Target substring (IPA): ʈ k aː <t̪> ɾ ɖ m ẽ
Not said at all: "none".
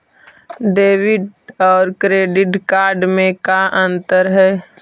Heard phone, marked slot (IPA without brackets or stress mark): none